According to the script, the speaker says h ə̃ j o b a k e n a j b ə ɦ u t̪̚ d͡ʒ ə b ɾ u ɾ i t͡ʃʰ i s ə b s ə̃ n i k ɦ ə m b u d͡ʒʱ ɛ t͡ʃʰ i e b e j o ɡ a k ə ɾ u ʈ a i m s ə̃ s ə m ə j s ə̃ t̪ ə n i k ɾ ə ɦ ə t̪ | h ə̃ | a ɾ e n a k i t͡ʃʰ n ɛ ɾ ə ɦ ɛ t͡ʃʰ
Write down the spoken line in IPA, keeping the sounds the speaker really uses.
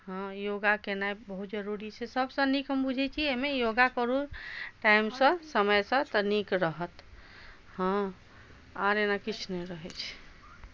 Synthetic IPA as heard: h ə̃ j o ɡ a k e n a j b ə ɦ u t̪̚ d͡ʒ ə ɾ u ɾ i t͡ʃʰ ɛ s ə b s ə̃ n i k ɦ ə m b u d͡ʒʱ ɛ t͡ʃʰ i e m e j o ɡ a k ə ɾ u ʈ a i m s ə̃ s ə m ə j s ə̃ t̪ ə n i k ɾ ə ɦ ə t̪ | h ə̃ | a ɾ e n a k i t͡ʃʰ n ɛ ɾ ə ɦ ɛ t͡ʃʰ